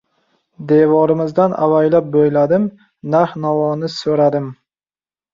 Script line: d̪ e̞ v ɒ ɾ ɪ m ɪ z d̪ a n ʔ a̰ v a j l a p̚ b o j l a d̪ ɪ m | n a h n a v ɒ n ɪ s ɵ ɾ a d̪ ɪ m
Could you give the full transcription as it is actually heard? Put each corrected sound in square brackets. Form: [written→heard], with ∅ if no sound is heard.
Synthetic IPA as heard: d̪ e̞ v ɒ ɾ ɪ m ɪ z d̪ a n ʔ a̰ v a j l a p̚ b o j l a d̪ ɪ m | n a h n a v ɒ n ɪ s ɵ ɾ a d̪ ɪ m

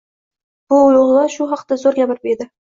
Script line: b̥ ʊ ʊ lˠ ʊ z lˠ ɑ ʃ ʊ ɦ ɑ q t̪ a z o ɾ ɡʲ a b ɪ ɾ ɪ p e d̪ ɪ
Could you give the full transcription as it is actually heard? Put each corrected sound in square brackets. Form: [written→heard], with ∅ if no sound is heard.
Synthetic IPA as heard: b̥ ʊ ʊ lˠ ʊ [z→ʁ] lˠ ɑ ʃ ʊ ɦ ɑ q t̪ a z o ɾ ɡʲ a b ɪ ɾ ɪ p e d̪ ɪ

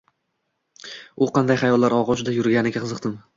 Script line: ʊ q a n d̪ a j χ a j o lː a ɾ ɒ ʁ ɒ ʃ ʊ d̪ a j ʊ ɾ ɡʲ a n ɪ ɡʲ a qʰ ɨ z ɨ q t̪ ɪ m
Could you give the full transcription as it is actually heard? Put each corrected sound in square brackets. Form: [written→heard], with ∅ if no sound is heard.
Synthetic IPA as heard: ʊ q [a→ɑ] n d̪ a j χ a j [o→ɒ] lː a ɾ ɒ ʁ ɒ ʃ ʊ d̪ a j ʊ ɾ ɡʲ a n ɪ ɡʲ a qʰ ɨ z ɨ q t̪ ɪ m

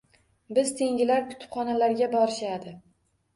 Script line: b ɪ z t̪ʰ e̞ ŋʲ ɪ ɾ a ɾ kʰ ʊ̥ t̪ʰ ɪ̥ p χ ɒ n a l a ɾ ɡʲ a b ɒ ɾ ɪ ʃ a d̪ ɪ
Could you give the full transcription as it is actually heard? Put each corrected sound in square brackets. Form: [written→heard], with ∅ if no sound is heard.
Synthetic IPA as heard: b ɪ z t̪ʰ e̞ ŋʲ ɪ [ɾ→l] a ɾ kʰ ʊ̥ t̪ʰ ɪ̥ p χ ɒ n a l a ɾ ɡʲ a b ɒ ɾ ɪ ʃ a d̪ ɪ

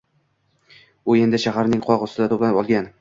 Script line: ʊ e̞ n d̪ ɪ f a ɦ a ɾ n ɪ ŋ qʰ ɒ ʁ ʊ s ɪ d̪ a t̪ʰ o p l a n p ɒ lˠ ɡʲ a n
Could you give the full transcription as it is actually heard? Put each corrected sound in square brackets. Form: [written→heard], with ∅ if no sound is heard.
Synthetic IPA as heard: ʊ e̞ n d̪ ɪ [f→ʃ] a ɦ a ɾ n ɪ ŋ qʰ ɒ ʁ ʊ s ɪ d̪ a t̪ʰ o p l a n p ɒ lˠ ɡʲ a n

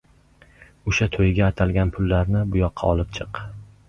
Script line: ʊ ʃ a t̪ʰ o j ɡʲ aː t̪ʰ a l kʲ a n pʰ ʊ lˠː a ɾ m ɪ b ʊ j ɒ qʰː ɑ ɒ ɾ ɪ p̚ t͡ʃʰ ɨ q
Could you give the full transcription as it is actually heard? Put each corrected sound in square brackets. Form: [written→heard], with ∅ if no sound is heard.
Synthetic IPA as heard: ʊ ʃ a t̪ʰ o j ɡʲ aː t̪ʰ a l [kʲ→ɡʲ] a n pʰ ʊ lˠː a ɾ [m→n] ɪ b ʊ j ɒ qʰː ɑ ɒ [ɾ→l] ɪ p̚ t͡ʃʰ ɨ q

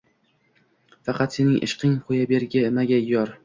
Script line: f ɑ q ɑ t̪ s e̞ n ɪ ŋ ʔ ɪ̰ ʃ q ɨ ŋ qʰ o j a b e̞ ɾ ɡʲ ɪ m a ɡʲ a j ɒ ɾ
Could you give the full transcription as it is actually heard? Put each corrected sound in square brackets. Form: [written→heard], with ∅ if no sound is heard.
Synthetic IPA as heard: f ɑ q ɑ t̪ s e̞ n ɪ ŋ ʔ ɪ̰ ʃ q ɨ ŋ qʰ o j a b e̞ ɾ ɡʲ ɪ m a ɡʲ a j ɒ ɾ

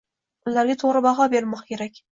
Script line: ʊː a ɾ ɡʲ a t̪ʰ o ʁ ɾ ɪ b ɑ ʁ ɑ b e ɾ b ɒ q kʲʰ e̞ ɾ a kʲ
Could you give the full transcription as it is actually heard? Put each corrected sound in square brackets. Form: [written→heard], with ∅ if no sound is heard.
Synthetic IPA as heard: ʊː a ɾ ɡʲ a t̪ʰ o ʁ ɾ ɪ b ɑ ʁ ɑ b e ɾ [b→m] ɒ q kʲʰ e̞ ɾ a kʲ

